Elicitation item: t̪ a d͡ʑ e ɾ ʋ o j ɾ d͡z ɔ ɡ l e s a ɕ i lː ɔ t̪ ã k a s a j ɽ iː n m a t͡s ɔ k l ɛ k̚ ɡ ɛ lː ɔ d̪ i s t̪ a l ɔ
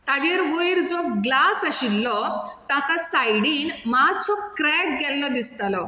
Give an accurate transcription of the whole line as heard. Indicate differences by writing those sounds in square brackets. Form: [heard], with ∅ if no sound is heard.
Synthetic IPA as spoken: t̪ a d͡ʑ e ɾ ʋ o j ɾ d͡z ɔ ɡ l [a] s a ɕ i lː ɔ t̪ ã k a s a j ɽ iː n m a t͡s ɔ k [ɾ] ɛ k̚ ɡ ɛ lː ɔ d̪ i s t̪ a l ɔ